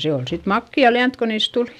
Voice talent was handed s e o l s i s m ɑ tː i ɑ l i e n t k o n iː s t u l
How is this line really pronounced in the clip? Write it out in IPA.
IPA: s e o l s i t m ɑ kː i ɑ l i æ n t k o n iː s t u l